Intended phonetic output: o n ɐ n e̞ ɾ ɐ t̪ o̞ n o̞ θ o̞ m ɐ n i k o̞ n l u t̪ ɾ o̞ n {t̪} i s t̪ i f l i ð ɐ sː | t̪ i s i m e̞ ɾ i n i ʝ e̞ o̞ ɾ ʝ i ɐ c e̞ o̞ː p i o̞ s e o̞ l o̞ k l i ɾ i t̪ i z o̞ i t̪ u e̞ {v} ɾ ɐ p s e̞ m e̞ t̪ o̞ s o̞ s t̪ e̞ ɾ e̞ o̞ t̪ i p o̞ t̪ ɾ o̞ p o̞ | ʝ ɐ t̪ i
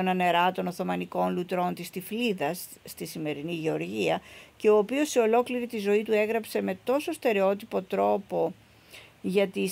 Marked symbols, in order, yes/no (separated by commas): yes, no